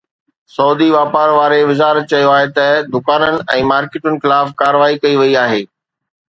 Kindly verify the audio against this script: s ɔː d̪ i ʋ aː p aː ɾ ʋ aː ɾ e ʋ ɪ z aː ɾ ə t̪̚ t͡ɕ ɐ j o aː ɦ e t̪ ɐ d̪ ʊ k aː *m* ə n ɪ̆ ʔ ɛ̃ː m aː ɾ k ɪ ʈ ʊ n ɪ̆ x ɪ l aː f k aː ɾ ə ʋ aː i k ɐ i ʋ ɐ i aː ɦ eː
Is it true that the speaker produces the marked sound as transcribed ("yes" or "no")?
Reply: no